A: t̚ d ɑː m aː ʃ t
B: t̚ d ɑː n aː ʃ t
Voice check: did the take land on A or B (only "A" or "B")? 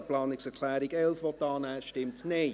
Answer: B